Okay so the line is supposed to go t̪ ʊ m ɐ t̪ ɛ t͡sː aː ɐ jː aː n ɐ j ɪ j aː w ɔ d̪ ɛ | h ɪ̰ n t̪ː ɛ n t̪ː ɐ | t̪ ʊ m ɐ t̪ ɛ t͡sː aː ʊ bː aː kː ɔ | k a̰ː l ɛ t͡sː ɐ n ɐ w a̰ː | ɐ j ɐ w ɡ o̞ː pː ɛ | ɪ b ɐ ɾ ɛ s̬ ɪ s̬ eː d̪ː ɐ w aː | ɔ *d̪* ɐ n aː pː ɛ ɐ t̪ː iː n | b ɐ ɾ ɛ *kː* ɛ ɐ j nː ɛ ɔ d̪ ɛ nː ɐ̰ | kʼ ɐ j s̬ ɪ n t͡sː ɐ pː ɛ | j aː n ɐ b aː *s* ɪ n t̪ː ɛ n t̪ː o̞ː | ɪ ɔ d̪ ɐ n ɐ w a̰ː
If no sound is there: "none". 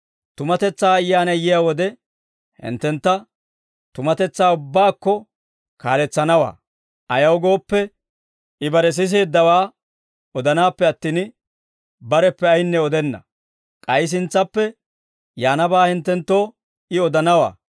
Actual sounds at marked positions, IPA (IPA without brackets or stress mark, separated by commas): d̪, pː, h